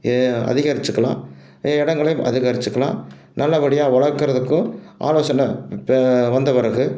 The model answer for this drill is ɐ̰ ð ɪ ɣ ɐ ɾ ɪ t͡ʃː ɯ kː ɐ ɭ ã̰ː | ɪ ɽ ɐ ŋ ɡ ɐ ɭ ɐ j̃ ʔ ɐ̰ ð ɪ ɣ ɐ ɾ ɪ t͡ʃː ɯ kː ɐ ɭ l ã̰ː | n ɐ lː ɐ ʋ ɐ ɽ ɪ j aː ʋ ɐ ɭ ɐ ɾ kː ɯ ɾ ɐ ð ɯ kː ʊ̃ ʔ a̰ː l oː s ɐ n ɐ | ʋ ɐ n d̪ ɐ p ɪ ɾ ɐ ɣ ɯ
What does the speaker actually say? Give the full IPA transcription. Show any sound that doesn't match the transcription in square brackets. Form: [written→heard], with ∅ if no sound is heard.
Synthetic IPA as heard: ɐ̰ ð ɪ ɣ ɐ ɾ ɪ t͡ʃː ɯ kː ɐ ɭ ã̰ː | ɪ ɽ ɐ ŋ ɡ ɐ ɭ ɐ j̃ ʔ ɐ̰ ð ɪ ɣ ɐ ɾ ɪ t͡ʃː ɯ kː ɐ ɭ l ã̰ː | n ɐ lː ɐ ʋ ɐ ɽ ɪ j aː ʋ ɐ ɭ ɐ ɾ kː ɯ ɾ ɐ ð ɯ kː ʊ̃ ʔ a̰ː l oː s ɐ n ɐ | ʋ ɐ n d̪ ɐ p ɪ ɾ ɐ ɣ ɯ